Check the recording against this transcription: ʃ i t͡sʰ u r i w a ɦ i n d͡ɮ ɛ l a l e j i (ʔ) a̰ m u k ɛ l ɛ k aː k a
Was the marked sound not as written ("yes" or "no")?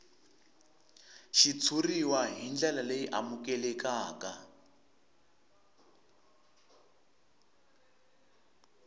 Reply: no